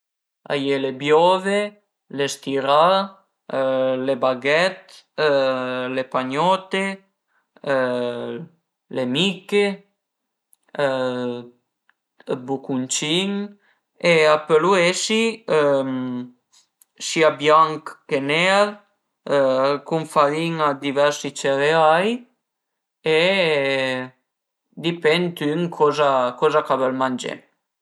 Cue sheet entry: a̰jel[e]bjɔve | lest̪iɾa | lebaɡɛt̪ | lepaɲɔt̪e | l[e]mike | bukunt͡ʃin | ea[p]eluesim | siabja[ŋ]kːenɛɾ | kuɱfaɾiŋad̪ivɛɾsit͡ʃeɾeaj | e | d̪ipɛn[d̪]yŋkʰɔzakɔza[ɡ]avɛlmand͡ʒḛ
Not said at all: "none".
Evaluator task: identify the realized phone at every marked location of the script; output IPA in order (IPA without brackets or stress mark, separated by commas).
e, e, p, ŋ, t̪, k